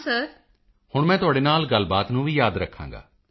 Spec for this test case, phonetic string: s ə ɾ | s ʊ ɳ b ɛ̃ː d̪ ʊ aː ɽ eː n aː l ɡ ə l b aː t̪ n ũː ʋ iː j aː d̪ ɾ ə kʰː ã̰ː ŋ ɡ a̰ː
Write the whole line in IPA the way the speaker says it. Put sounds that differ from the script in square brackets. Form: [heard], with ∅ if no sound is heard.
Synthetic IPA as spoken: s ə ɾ | [h] ʊ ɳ [m] ɛ̃ː [t̪] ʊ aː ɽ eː n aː l ɡ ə l b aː t̪ n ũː ʋ iː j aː d̪ ɾ ə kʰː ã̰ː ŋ ɡ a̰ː